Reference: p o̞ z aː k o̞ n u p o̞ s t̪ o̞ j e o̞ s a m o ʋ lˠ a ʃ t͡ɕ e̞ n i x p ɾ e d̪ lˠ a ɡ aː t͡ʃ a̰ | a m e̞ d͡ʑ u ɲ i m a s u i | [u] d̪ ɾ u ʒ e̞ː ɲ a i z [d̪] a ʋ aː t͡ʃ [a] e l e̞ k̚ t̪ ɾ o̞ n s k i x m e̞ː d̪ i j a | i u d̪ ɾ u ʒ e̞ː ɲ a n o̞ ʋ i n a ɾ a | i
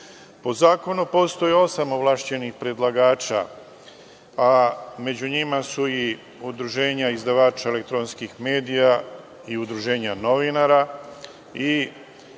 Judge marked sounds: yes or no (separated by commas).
yes, yes, yes